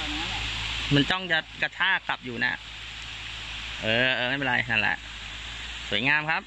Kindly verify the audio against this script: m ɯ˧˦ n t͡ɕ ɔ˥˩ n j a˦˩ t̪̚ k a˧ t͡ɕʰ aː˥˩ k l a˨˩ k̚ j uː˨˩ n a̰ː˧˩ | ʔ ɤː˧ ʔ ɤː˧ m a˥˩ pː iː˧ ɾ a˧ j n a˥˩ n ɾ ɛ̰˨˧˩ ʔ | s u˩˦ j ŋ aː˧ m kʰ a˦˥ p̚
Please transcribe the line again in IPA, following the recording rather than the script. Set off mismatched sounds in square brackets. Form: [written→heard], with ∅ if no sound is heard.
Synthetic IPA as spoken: m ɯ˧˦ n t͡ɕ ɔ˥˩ [n→ŋ] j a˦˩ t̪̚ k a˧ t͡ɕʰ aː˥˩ k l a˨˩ [k̚→p̚] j uː˨˩ n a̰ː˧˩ | ʔ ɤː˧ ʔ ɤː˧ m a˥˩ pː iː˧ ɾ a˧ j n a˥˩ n [ɾ→l] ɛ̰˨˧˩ ʔ | s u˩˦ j ŋ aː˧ m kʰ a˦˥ p̚